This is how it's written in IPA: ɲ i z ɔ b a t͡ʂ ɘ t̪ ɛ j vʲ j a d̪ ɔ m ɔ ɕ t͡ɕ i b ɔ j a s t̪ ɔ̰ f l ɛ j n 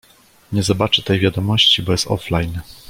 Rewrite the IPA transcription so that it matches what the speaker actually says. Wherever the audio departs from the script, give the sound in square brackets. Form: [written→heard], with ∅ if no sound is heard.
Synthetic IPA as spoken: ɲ [i→ɛ] z ɔ b a t͡ʂ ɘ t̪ ɛ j vʲ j a d̪ ɔ m ɔ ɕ t͡ɕ i b ɔ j [a→ɛ] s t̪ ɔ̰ f l [ɛ→a] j n